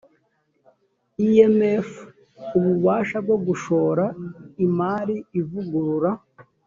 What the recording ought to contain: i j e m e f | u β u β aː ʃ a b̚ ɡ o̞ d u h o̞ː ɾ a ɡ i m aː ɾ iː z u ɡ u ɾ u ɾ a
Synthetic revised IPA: i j e m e f | u β u β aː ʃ a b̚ ɡ o̞ ɡ u ʃ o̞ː ɾ a i m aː ɾ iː v u ɡ u ɾ u ɾ a